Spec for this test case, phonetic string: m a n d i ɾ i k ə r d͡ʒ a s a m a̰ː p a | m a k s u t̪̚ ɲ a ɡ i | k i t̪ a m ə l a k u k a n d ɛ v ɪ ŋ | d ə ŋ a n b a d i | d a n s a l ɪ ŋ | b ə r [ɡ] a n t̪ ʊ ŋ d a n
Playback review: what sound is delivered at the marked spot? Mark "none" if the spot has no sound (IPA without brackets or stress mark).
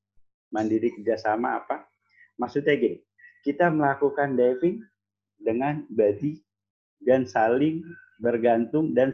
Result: ɡ